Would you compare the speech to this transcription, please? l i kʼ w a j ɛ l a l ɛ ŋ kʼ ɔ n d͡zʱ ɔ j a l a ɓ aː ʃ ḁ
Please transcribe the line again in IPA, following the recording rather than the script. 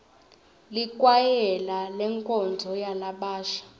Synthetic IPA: l i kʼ w a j ɛ l a l ɛ ŋ kʼ ɔ n d͡zʱ ɔ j a l a ɓ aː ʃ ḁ